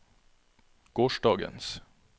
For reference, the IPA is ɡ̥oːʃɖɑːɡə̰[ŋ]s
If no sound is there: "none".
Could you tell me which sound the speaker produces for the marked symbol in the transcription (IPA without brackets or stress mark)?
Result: n